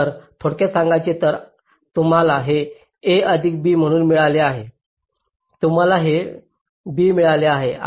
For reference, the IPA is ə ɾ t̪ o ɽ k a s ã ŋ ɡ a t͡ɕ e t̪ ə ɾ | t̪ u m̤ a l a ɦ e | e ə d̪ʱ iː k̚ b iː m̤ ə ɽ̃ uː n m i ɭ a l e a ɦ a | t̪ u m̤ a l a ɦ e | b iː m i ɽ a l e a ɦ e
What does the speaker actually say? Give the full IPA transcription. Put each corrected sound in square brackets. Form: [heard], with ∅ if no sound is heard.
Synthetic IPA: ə ɾ [t̪ʰ] o ɽ k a s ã ŋ ɡ a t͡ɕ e t̪ ə ɾ | t̪ u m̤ a l a ɦ e | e ə d̪ʱ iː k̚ b iː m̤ ə ɽ̃ uː n m i ɭ a l e a ɦ [e] | t̪ u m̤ a l a ɦ e | b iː m i [ɭ] a l e a ɦ e